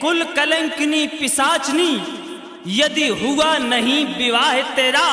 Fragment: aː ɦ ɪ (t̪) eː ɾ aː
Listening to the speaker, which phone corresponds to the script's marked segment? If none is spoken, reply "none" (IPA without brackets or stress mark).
t̪